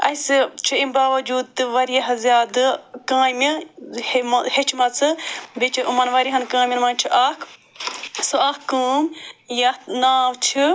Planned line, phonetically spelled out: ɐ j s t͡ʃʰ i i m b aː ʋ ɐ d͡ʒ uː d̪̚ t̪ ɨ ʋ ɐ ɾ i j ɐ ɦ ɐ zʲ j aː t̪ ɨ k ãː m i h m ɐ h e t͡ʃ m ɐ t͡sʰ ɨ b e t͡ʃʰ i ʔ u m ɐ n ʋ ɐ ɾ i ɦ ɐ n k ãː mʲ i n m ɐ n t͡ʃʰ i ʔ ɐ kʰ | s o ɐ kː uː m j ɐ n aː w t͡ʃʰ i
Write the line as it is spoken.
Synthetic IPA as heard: ɐ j s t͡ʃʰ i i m b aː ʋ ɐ d͡ʒ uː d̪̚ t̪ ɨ ʋ ɐ ɾ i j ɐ ɦ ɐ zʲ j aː d̪ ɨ k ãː m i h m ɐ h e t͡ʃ m ɐ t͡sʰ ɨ b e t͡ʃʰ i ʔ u m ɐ n ʋ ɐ ɾ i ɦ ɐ n k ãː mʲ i n m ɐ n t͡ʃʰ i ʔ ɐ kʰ | s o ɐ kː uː m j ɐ n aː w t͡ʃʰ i

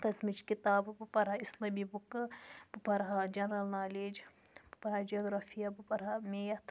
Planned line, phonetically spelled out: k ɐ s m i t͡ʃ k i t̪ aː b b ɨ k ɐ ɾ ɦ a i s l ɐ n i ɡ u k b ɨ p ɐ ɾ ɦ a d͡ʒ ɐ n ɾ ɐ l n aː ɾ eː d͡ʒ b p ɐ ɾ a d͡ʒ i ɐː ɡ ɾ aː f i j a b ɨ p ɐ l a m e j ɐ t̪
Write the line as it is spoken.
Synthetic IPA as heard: k ɐ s m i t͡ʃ k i t̪ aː b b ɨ p ɐ ɾ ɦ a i s l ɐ m i b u k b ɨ p ɐ ɾ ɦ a d͡ʒ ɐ n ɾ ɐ l n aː l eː d͡ʒ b p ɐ ɾ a d͡ʒ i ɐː ɡ ɾ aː f i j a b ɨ p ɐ ɾ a m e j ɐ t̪

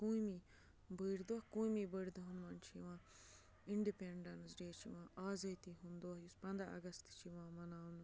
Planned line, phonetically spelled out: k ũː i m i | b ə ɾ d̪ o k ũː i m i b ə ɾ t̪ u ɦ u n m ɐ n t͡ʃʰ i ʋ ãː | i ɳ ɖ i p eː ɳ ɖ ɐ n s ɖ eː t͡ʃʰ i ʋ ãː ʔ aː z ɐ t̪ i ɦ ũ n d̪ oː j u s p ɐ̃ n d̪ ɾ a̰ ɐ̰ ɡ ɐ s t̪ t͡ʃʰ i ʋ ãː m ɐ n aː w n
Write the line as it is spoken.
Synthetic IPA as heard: k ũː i m i | b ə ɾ d̪ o k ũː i m i b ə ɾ d̪ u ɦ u n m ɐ n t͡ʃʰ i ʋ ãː | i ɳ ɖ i p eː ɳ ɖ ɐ n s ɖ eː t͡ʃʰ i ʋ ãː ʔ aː z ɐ t̪ i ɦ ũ n d̪ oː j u s p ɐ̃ n d̪ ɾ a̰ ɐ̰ ɡ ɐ s t̪ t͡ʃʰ i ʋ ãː m ɐ n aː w n

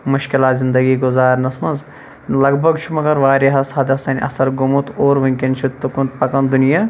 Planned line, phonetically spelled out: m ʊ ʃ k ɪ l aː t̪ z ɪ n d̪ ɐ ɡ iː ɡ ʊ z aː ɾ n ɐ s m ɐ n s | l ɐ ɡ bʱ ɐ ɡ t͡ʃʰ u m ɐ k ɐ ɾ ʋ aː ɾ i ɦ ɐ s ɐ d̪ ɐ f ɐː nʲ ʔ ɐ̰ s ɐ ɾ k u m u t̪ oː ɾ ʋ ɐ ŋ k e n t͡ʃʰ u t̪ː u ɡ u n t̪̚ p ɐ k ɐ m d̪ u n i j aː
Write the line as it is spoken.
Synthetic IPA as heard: m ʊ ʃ k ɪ l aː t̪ z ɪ n d̪ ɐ ɡ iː ɡ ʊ z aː ɾ n ɐ s m ɐ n z | l ɐ ɡ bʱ ɐ ɡ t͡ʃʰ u m ɐ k ɐ ɾ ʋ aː ɾ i ɦ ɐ s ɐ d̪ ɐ s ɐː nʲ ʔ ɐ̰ s ɐ ɾ ɡ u m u t̪ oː ɾ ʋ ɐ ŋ k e n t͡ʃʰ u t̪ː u k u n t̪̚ p ɐ k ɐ n d̪ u n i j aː

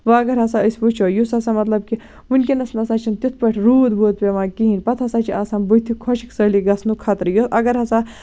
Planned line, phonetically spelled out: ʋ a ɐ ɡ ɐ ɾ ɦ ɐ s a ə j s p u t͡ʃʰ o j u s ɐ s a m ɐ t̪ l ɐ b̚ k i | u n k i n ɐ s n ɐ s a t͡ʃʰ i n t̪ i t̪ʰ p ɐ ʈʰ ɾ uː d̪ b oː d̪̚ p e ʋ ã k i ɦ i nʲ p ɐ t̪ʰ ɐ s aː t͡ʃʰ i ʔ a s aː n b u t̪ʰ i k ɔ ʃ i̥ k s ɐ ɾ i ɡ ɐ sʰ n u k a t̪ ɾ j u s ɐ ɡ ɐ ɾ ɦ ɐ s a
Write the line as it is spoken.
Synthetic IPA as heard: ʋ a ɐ ɡ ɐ ɾ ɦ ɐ s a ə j s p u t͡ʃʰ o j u s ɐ s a m ɐ t̪ l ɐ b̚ k i | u n k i n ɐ s n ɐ s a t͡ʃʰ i n t̪ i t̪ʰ p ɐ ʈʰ ɾ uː d̪ b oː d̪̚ p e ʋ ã k i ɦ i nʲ p ɐ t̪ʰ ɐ s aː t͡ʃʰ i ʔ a s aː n b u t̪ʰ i kʰ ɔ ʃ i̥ k s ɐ l i ɡ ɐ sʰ n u kʰ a t̪ ɾ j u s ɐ ɡ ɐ ɾ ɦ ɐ s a

